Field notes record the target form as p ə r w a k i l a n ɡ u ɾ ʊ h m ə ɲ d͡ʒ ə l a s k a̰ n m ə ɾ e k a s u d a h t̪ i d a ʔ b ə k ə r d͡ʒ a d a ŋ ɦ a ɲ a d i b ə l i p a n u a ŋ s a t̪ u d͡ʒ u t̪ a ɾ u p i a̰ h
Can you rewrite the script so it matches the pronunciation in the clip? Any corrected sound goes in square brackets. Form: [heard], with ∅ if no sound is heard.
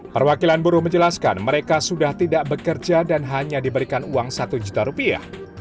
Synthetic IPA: p ə r w a k i l a n [b] u ɾ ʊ h m ə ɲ d͡ʒ ə l a s k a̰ n m ə ɾ e k a s u d a h t̪ i d a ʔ b ə k ə r d͡ʒ a d a [n] ɦ a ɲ a d i b ə [ɾ] i [k] a n u a ŋ s a t̪ u d͡ʒ u t̪ a ɾ u p i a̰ h